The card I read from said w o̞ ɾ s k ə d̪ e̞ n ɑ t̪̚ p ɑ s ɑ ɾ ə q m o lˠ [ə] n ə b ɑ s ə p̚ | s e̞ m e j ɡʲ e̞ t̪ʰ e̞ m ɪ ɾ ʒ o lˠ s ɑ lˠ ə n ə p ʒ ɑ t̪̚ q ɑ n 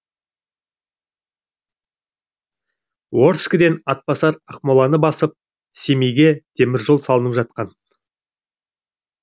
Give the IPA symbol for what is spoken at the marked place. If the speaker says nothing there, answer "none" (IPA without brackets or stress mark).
ɑ